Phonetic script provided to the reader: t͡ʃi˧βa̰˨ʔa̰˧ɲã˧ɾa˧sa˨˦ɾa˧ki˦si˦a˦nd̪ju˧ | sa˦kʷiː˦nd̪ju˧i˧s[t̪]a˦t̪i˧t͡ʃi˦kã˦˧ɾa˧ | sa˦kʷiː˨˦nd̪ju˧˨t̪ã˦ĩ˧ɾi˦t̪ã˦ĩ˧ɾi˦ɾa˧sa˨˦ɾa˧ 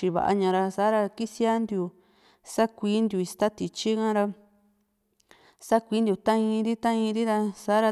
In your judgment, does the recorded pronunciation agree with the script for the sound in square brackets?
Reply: yes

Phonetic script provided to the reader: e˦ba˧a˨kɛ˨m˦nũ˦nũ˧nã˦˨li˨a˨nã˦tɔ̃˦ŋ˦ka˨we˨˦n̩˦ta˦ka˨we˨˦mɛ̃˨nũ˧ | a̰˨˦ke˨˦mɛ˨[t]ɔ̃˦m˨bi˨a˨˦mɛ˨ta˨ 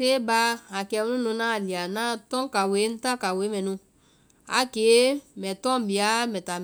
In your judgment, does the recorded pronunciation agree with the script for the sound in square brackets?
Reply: yes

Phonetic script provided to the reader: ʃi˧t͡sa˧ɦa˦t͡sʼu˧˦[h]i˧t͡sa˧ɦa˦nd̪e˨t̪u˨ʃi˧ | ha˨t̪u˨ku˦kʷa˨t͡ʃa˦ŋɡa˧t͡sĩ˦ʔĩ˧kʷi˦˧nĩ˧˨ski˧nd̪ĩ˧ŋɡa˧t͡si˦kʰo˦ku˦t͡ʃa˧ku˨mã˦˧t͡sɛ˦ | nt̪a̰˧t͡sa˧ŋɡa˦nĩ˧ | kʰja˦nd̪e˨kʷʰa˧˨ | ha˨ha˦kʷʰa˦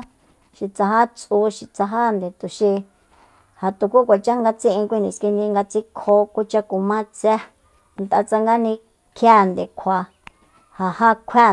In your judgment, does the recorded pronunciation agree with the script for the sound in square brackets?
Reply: no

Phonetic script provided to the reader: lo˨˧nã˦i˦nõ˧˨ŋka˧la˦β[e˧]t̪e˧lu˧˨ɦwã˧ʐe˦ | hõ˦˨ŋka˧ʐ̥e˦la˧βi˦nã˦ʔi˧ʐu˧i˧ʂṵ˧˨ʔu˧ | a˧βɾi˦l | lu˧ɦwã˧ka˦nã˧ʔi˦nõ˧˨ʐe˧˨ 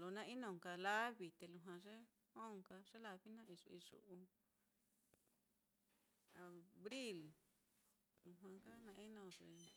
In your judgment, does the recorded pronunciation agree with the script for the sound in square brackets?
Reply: no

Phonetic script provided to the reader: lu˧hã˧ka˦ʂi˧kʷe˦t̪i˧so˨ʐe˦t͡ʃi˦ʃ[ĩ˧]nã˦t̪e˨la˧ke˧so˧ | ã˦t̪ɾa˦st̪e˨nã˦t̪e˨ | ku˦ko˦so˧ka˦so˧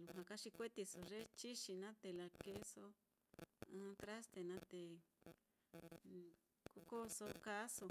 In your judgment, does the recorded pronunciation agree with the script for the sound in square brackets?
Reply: no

